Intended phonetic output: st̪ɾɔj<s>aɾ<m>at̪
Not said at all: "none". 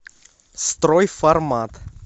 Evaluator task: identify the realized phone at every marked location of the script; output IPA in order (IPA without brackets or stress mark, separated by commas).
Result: f, m